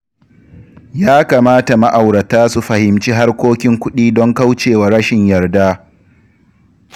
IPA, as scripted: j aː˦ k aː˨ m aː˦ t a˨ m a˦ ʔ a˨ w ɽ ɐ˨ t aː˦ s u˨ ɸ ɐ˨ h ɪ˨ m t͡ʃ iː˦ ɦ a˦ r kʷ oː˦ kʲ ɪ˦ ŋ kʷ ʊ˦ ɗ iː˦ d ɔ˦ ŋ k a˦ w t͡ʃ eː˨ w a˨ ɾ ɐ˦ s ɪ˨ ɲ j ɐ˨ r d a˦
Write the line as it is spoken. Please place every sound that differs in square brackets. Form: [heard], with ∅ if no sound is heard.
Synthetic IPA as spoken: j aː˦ k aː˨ m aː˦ t a˨ m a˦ ʔ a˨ w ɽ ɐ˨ t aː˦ s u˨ ɸ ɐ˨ h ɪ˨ m t͡ʃ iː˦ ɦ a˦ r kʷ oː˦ kʲ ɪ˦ ŋ kʷ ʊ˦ ɗ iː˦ d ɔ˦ ŋ k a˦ w t͡ʃ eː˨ w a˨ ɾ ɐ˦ [ʃ] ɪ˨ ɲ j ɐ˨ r d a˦

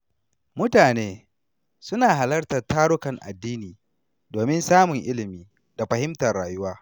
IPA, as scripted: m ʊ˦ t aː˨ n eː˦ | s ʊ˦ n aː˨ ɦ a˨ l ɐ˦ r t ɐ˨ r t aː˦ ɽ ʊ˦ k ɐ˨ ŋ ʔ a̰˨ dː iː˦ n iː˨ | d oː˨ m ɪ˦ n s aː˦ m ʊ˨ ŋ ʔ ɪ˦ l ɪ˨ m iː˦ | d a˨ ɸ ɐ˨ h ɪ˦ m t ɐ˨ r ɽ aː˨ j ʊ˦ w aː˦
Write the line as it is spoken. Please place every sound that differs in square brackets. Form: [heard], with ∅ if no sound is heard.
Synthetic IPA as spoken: m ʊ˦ t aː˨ n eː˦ | s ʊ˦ n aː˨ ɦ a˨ l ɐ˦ r t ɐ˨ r t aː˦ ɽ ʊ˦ k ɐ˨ ŋ ʔ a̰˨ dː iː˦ n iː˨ | d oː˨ m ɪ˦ n s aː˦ m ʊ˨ ŋ ʔ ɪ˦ l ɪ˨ m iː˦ | d a˨ ɸ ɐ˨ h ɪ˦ m t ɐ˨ r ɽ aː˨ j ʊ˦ w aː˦

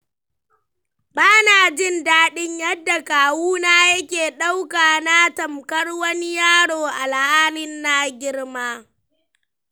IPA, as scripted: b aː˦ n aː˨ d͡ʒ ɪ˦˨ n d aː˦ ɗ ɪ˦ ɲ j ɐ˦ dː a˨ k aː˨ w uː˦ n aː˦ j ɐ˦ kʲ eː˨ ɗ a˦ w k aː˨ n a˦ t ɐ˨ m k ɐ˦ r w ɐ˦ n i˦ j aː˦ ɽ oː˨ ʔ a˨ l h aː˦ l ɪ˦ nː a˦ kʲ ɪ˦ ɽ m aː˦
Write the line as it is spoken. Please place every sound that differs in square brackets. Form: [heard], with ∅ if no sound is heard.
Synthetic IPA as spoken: b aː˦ n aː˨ d͡ʒ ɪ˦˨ n d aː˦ ɗ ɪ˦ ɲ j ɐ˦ dː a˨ k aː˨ w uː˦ n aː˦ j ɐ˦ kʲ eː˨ ɗ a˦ w k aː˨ n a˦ t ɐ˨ m k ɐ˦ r w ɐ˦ n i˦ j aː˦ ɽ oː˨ ʔ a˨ l h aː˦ l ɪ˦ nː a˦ [ɡʲ] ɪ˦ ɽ m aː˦

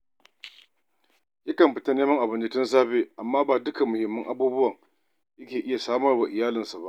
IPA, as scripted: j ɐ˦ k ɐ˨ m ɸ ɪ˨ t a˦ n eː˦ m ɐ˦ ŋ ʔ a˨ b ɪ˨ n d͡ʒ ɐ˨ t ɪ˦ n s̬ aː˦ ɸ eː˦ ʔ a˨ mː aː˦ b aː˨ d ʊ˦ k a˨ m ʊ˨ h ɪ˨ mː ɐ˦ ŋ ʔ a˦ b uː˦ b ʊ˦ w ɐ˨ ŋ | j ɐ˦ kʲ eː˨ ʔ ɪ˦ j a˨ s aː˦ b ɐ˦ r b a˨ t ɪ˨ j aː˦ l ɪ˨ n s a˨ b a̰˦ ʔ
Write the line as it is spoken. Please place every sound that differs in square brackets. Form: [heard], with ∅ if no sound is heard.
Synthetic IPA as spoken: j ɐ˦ k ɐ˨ m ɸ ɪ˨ t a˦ n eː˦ m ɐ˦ ŋ ʔ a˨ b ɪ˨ n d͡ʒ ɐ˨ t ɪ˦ n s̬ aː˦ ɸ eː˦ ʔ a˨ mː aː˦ b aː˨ d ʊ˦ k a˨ m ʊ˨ h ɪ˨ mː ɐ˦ ŋ ʔ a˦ b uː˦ b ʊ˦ w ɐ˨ ŋ | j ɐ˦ kʲ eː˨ ʔ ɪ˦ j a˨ s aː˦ [m] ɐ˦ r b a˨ [ʔ] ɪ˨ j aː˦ l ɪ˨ n s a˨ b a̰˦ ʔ

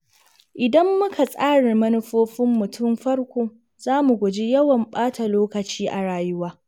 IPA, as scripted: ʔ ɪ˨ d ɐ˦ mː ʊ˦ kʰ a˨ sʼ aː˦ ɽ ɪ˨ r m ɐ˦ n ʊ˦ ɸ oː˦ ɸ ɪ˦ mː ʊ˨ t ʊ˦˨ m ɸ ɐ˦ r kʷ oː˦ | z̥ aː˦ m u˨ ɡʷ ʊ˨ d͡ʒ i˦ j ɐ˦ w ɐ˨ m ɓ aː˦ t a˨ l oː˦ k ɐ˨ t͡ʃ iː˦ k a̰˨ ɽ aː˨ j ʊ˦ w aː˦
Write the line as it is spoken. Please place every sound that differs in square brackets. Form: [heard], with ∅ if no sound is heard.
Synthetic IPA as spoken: ʔ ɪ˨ d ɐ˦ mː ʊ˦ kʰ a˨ sʼ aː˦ ɽ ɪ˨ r m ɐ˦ n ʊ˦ ɸ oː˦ ɸ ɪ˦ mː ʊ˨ t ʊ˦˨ m ɸ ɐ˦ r kʷ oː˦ | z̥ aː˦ m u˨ ɡʷ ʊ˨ d͡ʒ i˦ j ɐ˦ w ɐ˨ m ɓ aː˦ t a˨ l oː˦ k ɐ˨ t͡ʃ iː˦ [ʔ] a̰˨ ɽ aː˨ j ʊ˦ w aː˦

